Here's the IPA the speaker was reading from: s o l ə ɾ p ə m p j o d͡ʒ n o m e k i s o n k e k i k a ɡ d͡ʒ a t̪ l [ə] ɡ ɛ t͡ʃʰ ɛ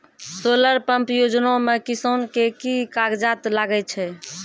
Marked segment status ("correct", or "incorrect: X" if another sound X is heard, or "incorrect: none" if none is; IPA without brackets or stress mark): incorrect: a